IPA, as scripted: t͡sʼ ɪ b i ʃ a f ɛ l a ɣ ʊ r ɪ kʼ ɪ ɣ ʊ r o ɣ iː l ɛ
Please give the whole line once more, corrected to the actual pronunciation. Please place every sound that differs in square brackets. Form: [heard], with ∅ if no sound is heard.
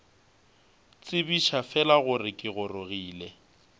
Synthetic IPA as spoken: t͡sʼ ɪ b i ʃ a f ɛ l a ɣ ʊ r ɪ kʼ ɪ ɣ ʊ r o ɣ iː l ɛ